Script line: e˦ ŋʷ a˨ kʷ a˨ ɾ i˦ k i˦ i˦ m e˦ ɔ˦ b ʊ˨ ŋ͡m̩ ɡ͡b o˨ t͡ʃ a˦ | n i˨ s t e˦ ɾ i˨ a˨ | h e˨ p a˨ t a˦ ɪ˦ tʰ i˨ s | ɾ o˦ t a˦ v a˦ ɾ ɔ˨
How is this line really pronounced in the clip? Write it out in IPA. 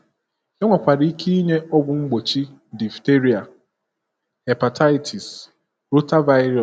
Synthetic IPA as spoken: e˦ ŋʷ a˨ kʷ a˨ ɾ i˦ k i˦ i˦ ɲ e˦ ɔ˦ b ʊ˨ ŋ͡m̩ ɡ͡b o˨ t͡ʃ i˦ | d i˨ f t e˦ ɾ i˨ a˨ | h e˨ p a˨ t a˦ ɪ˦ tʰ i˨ s | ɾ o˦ t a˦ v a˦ ɾ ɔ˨